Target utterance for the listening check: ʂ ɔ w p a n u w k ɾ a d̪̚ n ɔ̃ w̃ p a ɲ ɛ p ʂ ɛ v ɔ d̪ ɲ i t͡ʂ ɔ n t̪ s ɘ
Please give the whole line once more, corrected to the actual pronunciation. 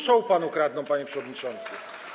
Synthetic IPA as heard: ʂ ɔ w p a n u k ɾ a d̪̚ n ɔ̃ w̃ p a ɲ ɛ p ʂ ɛ v ɔ d̪ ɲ i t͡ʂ ɔ n t̪ s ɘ